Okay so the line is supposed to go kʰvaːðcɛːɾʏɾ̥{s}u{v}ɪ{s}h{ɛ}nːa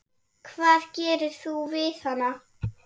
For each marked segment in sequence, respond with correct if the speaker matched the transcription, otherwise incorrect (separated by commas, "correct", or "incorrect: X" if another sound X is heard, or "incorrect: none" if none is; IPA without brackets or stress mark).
incorrect: θ, correct, incorrect: θ, incorrect: a